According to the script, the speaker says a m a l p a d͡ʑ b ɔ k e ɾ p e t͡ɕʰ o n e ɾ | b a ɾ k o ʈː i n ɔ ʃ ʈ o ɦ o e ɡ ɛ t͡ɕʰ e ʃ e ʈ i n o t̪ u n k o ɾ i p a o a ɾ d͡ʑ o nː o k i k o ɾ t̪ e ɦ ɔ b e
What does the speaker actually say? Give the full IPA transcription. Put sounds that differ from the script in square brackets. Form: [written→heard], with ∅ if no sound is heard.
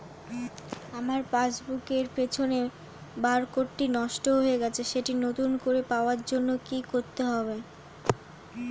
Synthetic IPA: a m a [l→ɾ] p a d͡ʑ b [ɔ→u] k e ɾ p e t͡ɕʰ o n e [ɾ→∅] | b a ɾ k o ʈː i n ɔ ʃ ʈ o ɦ o e ɡ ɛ t͡ɕʰ e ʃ e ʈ i n o t̪ u n k o ɾ [i→e] p a o a ɾ d͡ʑ o nː o k i k o ɾ t̪ e ɦ ɔ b e